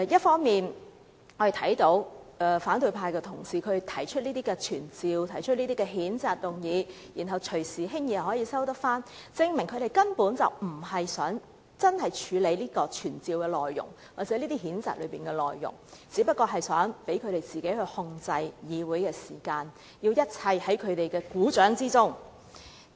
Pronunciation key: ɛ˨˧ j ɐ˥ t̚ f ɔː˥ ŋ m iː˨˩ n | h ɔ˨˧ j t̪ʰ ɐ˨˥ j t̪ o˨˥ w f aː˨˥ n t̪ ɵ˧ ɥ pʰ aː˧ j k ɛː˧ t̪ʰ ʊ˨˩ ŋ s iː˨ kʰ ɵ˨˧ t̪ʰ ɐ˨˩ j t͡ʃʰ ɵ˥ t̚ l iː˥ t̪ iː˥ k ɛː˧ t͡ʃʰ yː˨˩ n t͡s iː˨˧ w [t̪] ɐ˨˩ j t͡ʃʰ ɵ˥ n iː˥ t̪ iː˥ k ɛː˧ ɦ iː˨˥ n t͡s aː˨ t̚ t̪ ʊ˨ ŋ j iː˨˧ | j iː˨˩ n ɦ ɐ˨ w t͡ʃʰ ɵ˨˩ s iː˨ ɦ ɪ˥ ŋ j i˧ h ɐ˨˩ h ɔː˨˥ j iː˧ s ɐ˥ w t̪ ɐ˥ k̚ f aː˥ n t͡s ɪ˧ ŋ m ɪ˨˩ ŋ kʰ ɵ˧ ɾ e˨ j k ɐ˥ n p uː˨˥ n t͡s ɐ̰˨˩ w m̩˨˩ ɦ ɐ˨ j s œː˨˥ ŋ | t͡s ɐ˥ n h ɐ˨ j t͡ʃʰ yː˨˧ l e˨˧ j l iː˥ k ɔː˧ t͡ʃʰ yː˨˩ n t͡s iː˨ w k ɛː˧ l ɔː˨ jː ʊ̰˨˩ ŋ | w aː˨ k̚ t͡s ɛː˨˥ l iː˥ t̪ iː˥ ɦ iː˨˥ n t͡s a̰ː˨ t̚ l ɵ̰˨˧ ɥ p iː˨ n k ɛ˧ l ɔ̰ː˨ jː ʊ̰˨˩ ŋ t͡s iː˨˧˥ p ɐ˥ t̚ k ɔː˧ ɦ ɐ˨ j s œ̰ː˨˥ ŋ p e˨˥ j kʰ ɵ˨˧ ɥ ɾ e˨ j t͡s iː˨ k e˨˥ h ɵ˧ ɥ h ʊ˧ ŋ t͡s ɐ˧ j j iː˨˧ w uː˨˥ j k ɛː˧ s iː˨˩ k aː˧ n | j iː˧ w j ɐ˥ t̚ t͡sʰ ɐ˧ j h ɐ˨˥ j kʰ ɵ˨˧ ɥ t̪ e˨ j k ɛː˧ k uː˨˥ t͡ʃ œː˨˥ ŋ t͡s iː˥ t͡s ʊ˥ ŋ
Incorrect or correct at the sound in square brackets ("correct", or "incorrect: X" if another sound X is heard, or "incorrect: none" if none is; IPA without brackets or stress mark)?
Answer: incorrect: t̪ʰ